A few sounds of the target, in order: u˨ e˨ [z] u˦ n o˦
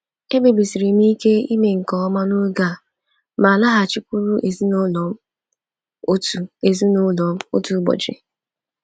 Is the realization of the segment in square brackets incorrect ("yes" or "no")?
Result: no